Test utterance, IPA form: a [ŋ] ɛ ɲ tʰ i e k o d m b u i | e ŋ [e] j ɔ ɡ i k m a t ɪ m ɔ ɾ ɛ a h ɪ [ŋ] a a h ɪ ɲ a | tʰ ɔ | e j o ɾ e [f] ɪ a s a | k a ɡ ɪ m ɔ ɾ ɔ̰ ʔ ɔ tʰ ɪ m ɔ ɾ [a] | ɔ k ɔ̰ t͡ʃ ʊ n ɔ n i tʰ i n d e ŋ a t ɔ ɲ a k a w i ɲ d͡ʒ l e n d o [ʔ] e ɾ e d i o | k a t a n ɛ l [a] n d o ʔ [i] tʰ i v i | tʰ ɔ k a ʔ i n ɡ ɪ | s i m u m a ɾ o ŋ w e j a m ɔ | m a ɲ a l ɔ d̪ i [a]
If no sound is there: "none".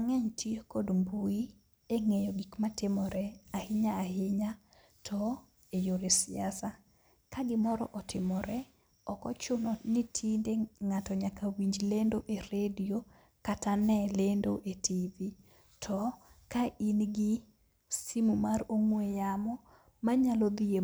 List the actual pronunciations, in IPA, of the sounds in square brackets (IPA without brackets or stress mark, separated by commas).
ŋ, e, ɲ, s, ɛ, ʔ, e, e, e